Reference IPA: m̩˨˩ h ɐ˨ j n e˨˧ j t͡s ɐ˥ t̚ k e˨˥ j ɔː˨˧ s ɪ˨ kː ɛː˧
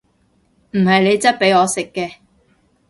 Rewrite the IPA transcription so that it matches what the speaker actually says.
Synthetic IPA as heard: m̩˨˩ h ɐ˨ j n e˨˧ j t͡s ɐ˥ t̚ p e˨˥ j ɔː˨˧ s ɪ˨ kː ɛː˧